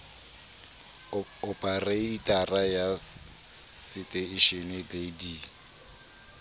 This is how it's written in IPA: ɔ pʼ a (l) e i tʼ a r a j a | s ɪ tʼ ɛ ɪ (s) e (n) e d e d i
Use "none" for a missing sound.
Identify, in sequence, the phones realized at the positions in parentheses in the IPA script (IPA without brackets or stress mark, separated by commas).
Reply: r, ʃ, n